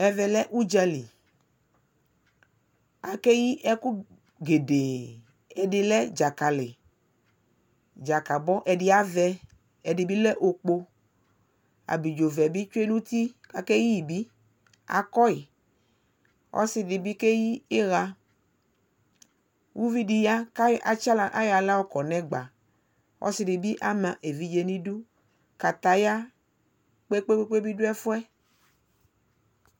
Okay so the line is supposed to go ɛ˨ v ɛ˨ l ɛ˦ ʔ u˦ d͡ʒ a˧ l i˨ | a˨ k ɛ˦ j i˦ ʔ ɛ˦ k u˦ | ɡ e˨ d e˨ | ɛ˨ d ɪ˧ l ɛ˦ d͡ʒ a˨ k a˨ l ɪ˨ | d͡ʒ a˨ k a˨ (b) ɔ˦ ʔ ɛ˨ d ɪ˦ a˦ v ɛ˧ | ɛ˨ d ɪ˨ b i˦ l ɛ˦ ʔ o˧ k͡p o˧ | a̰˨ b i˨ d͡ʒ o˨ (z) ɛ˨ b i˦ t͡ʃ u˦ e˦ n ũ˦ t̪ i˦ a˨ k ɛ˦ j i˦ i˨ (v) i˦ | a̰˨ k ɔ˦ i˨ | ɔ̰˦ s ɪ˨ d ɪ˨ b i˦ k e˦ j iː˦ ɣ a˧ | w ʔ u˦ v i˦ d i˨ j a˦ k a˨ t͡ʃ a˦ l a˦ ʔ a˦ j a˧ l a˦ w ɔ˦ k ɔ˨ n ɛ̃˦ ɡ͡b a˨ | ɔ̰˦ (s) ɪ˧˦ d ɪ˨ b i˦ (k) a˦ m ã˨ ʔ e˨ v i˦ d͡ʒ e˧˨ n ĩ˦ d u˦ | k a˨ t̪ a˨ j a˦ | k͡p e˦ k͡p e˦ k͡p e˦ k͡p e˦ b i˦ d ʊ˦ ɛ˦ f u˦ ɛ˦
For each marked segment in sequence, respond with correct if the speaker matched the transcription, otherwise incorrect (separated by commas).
correct, incorrect, incorrect, correct, incorrect